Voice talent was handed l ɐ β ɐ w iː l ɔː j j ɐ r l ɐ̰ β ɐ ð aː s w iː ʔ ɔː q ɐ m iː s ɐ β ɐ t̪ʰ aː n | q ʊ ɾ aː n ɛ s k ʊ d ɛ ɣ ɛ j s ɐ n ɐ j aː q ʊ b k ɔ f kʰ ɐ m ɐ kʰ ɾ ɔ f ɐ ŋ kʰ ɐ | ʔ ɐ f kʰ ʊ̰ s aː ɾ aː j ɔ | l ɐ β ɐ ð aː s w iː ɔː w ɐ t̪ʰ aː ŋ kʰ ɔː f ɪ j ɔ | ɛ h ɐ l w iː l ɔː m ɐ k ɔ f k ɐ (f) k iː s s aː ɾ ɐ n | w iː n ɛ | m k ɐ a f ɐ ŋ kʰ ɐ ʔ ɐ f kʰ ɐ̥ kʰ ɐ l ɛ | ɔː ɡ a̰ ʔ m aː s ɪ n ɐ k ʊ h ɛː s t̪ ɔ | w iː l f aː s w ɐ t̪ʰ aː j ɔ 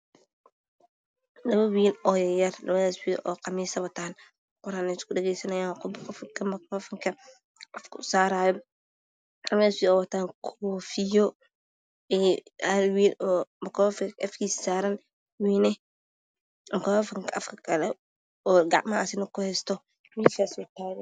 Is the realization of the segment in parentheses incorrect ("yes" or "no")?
no